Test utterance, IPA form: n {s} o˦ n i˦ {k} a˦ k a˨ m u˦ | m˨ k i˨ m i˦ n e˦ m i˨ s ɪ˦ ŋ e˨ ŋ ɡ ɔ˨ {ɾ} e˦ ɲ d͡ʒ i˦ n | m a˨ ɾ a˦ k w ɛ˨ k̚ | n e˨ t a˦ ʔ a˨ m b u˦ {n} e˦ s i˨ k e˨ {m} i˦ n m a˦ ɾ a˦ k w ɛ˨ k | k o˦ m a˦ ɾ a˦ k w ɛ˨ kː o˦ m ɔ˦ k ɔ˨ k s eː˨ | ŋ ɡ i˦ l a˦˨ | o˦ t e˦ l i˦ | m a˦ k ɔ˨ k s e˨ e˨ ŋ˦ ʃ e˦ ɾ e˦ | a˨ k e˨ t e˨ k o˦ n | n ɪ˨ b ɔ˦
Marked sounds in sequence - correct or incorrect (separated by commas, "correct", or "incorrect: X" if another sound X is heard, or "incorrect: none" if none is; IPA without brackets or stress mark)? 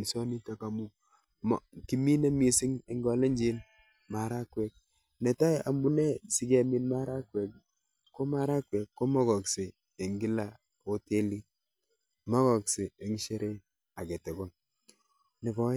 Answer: correct, incorrect: t, incorrect: l, correct, correct